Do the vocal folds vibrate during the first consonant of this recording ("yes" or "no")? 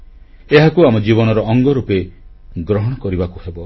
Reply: yes